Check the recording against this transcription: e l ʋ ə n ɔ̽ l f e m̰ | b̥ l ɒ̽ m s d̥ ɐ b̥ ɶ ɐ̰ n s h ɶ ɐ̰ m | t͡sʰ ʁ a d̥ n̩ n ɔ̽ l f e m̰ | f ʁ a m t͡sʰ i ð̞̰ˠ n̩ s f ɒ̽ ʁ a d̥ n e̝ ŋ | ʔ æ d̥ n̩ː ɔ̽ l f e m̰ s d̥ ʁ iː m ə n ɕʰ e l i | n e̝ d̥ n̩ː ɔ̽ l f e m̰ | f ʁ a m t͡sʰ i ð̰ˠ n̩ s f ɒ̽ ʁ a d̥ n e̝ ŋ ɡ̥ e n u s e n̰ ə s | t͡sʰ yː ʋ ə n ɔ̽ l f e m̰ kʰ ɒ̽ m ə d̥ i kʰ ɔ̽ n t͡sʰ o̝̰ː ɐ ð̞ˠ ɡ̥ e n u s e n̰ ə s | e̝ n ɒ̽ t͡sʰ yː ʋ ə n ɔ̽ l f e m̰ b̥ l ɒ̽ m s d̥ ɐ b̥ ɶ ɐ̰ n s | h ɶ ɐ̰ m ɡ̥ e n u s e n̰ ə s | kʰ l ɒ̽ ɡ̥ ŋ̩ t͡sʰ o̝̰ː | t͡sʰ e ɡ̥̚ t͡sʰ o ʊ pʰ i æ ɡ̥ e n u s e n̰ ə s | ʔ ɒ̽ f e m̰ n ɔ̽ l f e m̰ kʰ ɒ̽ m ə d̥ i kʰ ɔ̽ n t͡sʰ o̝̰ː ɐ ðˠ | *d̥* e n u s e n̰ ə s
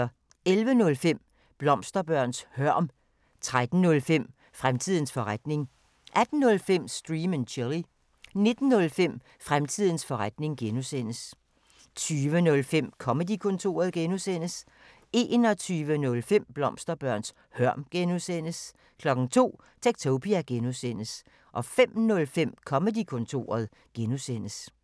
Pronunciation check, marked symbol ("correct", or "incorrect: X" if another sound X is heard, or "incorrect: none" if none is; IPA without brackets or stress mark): incorrect: ɡ̥